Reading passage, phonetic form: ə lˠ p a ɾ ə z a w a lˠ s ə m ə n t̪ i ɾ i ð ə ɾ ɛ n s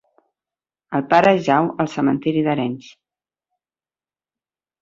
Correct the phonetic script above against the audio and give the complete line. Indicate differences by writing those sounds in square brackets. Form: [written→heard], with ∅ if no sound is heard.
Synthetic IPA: ə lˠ p a ɾ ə [z→ʒ] a w [a→ə] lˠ s ə m ə n t̪ i ɾ i ð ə ɾ ɛ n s